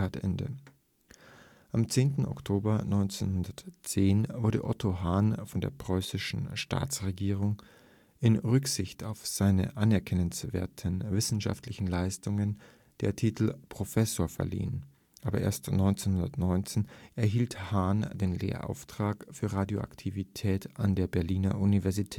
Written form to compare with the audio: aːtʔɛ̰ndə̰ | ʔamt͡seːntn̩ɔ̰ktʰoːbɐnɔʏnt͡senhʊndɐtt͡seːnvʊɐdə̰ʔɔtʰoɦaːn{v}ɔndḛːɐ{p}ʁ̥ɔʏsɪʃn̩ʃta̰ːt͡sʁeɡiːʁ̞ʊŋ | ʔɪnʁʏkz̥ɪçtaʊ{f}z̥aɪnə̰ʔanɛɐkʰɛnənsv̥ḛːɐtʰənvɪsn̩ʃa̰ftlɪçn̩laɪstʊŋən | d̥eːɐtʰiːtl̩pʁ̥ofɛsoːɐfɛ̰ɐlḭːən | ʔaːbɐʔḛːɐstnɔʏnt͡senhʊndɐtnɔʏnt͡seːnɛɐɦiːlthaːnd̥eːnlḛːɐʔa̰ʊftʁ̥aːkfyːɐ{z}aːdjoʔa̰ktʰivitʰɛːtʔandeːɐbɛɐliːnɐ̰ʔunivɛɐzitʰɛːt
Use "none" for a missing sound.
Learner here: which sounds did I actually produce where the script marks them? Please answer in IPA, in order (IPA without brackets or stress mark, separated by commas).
f, p, f, ʁ